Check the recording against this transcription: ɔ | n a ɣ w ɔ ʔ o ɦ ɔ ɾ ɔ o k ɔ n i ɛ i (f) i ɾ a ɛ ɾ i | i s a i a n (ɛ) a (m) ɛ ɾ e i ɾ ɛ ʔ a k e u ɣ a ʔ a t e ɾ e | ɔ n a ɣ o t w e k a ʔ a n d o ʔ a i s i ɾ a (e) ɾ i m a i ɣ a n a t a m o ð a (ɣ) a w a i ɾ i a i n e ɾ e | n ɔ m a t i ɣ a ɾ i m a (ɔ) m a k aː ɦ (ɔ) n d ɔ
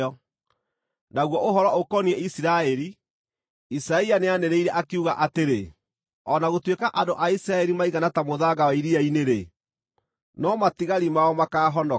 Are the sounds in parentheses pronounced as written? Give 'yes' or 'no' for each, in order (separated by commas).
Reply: no, no, no, no, yes, yes, yes